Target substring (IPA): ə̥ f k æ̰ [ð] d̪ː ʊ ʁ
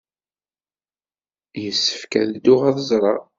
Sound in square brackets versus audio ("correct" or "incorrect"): correct